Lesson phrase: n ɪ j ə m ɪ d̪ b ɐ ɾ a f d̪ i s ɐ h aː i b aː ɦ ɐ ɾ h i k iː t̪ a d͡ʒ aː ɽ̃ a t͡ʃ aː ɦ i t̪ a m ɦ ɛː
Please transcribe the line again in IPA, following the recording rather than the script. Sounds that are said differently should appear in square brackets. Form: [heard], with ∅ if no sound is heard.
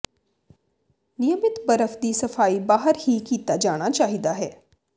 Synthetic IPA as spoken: n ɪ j ə m ɪ [t̪] b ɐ ɾ [ə] f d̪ i s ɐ [f] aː i b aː ɦ [ə] ɾ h i k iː t̪ a d͡ʒ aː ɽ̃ a t͡ʃ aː ɦ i [d̪] a [∅] ɦ ɛː